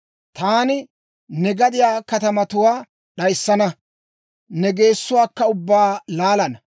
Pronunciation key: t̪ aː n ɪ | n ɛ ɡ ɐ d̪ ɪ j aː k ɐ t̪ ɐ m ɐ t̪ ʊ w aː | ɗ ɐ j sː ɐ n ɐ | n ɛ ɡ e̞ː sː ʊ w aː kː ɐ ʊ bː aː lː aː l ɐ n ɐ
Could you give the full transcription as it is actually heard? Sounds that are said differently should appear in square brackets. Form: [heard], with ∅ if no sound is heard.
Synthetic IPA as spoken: t̪ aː n ɪ | n ɛ ɡ ɐ d̪ ɪ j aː k ɐ t̪ ɐ m ɐ t̪ ʊ w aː | ɗ ɐ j sː ɐ n ɐ | n ɛ ɡ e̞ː sː ʊ w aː kː ɐ ʊ bː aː [l] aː l ɐ n ɐ